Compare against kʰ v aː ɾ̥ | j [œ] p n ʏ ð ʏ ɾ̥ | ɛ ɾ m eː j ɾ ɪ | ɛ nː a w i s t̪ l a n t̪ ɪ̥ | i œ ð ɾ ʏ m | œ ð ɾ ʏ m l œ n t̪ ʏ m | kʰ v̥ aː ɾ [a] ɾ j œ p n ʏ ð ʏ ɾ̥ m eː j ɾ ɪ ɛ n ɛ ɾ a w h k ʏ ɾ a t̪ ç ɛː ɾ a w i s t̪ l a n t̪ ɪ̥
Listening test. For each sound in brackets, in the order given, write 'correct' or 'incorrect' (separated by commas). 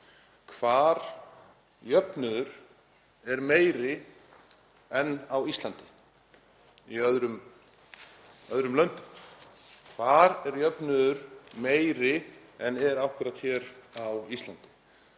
correct, incorrect